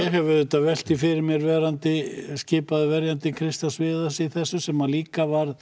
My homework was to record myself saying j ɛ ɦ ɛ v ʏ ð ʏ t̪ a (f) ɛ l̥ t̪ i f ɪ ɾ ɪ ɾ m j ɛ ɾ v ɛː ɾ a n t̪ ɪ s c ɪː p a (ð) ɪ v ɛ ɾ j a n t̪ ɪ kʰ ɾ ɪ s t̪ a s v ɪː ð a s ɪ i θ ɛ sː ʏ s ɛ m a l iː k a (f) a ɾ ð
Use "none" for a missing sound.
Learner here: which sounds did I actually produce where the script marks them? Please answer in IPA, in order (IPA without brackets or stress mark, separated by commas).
v, ð, v